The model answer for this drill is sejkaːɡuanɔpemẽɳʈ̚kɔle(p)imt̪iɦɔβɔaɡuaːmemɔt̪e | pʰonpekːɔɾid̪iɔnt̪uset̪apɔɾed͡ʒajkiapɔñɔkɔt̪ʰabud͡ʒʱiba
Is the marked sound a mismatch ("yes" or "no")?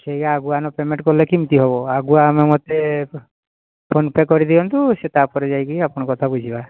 yes